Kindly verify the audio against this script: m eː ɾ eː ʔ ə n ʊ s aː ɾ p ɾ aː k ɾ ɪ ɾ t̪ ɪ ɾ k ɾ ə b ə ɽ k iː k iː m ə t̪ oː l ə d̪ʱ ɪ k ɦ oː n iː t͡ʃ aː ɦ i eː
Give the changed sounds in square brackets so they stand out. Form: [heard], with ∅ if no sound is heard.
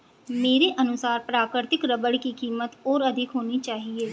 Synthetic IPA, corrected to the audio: m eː ɾ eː ʔ ə n ʊ s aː ɾ p ɾ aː k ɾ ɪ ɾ t̪ ɪ [∅] k ɾ ə b ə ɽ k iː k iː m ə t̪ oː [ɾ] ə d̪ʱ ɪ k ɦ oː n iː t͡ʃ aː ɦ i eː